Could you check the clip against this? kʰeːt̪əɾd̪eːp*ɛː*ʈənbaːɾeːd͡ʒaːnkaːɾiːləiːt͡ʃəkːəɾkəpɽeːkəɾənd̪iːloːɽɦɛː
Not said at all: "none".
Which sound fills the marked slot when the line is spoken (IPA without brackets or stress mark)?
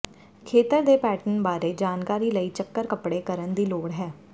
ɛː